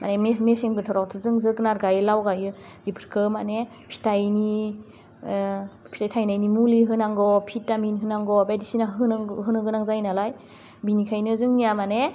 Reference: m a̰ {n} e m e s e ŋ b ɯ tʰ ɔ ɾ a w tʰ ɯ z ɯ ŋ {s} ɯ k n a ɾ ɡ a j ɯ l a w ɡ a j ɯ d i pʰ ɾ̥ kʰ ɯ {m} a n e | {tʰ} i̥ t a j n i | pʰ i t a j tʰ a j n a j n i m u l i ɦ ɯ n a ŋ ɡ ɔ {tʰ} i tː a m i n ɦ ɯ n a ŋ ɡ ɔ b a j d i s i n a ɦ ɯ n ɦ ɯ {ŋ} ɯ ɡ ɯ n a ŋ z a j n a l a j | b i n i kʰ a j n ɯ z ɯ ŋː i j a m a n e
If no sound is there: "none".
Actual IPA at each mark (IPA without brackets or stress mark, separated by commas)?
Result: n, z, m, pʰ, pʰ, n